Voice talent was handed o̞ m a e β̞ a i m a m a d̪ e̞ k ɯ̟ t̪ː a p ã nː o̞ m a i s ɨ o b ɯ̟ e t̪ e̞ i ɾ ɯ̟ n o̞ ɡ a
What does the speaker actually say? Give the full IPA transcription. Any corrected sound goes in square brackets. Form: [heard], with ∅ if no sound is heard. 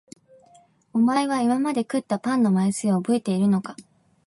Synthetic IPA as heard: o̞ m a e β̞ a i m a m a d̪ e̞ k ɯ̟ t̪ː a p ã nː o̞ m a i s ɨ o b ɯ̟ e t̪ e̞ i ɾ ɯ̟ n o̞ [k] a